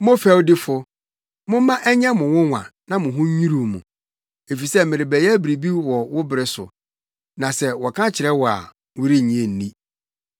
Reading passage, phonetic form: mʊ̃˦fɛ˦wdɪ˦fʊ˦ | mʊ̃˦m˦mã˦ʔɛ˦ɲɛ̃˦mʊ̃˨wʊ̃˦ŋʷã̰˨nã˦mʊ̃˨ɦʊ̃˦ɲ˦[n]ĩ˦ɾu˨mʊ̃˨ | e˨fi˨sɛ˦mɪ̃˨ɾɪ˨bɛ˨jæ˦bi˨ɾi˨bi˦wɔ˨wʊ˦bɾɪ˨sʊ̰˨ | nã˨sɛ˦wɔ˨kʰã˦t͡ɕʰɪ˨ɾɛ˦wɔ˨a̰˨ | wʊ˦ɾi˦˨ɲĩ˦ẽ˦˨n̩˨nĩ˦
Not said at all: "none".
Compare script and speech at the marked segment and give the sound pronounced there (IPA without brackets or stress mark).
ɲ